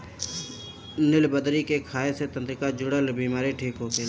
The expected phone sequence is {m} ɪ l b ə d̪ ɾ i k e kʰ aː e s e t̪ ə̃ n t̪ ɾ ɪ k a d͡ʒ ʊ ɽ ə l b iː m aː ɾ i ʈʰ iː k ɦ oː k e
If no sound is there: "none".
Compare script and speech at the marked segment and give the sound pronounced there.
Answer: n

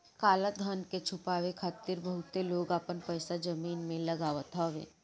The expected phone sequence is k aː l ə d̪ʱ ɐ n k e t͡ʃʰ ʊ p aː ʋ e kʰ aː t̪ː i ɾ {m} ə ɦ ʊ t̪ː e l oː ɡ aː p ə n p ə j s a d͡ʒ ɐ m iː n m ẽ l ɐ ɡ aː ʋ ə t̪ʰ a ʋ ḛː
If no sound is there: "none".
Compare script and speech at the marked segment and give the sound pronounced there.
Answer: b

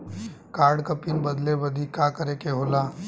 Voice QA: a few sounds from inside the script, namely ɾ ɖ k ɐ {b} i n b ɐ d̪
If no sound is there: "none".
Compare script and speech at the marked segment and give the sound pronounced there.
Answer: p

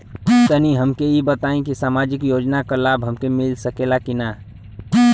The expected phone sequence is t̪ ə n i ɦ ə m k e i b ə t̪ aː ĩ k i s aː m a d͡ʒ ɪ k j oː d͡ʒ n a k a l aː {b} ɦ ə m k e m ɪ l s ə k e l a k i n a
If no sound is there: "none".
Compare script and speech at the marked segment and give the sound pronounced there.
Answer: b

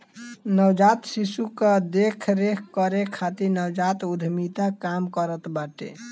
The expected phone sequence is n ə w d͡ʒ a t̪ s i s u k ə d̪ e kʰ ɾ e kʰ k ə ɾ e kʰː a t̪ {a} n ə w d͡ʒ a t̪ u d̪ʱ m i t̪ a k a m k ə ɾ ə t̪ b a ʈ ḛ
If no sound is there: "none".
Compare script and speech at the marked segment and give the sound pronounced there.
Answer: i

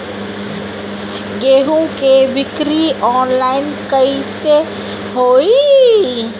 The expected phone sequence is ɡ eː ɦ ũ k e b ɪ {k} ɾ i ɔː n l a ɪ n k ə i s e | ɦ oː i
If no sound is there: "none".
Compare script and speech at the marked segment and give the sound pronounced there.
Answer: k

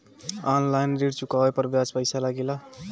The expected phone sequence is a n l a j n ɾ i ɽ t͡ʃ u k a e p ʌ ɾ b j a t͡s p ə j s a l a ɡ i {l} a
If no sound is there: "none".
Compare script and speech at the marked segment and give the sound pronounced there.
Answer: l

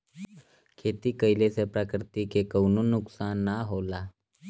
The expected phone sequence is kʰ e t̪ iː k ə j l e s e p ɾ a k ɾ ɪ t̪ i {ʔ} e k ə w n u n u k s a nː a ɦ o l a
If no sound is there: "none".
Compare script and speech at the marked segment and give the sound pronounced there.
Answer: k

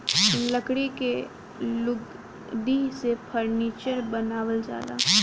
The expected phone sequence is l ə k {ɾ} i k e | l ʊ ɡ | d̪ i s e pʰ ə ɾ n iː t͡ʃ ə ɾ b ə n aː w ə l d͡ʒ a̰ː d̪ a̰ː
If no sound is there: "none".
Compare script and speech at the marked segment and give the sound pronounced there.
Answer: ɽ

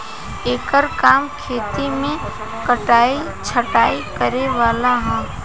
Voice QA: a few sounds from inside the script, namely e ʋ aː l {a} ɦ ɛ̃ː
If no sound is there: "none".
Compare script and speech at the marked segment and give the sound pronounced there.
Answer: a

